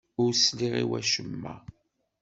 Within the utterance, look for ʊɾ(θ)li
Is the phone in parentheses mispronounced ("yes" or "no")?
yes